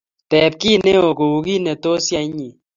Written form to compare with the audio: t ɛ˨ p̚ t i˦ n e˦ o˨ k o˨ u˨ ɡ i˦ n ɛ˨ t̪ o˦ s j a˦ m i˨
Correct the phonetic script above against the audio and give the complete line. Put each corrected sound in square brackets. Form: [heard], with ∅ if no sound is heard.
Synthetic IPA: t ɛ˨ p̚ [k] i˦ n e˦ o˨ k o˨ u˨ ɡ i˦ n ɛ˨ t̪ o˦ s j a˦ [ɲ] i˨